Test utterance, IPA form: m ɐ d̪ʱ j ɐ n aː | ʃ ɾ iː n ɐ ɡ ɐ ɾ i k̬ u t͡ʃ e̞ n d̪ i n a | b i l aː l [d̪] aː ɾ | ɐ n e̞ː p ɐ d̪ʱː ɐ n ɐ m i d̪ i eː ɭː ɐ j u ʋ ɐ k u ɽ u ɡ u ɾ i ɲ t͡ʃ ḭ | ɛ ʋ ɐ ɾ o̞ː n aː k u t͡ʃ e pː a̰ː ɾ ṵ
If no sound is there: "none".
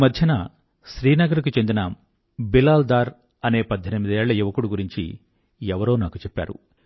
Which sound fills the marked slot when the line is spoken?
d̪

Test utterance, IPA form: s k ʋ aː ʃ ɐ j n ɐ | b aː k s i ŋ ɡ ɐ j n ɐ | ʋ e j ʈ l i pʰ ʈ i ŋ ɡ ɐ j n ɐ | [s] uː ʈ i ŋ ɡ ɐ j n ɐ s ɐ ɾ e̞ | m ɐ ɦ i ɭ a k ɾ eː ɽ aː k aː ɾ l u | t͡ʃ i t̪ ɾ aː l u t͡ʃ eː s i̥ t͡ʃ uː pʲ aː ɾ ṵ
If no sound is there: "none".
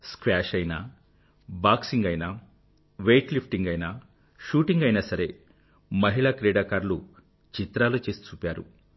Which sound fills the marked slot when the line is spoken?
ʃ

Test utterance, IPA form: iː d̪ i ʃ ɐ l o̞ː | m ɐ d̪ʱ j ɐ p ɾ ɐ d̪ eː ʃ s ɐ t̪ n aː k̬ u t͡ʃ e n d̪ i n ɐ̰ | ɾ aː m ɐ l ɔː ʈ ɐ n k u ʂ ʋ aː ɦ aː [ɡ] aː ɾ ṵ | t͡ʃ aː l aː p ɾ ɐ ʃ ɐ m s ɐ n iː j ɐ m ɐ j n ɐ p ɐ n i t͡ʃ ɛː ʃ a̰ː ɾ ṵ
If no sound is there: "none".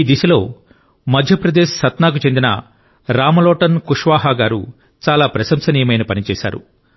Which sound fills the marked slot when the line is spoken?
ɡ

